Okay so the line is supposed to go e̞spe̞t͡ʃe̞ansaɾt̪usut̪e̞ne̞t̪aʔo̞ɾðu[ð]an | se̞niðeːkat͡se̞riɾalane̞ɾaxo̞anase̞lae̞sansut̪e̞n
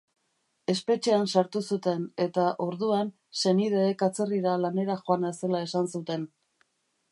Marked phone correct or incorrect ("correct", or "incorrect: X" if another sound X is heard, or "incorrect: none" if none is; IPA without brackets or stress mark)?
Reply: incorrect: none